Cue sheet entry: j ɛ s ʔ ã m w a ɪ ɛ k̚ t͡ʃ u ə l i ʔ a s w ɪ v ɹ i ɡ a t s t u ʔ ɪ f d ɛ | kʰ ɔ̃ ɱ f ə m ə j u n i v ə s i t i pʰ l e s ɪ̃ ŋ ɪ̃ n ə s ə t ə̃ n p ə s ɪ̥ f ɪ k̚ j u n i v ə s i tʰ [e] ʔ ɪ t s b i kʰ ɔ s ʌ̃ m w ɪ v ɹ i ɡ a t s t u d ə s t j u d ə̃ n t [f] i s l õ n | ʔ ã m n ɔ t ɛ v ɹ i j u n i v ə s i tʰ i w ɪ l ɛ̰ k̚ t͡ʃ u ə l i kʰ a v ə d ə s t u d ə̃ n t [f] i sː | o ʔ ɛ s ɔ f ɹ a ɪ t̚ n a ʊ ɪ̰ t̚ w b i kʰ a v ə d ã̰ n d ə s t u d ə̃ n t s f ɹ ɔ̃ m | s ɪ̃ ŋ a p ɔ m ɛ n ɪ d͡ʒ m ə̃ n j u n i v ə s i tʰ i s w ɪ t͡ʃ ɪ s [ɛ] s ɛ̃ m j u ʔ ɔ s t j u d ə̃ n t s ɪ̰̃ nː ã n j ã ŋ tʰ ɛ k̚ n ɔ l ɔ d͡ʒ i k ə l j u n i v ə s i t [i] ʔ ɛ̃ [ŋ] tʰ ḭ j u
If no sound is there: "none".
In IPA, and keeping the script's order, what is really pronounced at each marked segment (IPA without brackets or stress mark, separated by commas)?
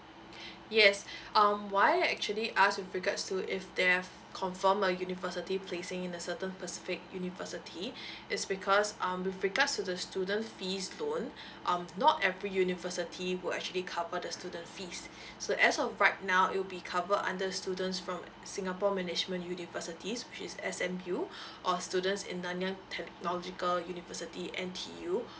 i, f, f, ɛ, i, n